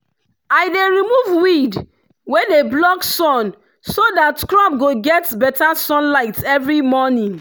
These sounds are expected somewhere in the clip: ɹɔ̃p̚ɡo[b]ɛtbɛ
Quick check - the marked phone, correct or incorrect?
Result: incorrect